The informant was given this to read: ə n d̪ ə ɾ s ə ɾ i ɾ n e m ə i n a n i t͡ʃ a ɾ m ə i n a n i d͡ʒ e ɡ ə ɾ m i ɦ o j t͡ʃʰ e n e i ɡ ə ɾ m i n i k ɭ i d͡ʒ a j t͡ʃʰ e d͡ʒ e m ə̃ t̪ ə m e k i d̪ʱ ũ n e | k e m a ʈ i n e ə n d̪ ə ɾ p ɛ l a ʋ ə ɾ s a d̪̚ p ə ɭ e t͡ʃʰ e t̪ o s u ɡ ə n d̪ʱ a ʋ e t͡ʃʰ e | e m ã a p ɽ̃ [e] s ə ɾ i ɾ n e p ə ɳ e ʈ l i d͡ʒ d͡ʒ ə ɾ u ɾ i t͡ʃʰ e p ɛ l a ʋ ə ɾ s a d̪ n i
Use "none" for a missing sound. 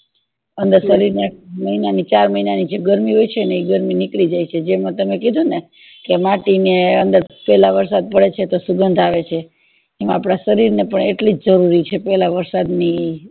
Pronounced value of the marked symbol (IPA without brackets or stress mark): a